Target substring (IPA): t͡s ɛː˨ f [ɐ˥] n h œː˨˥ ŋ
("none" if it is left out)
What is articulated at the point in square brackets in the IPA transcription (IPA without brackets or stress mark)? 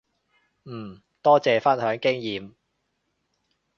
ɐ˥